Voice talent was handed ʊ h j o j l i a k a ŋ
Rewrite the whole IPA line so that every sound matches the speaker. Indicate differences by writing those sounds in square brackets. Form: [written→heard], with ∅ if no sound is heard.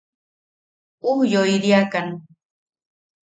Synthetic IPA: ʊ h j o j [l→ɾ] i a k a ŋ